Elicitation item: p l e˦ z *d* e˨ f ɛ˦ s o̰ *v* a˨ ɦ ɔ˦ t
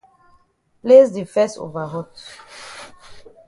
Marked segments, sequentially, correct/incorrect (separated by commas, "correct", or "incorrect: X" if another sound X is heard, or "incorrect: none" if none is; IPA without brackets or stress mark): correct, correct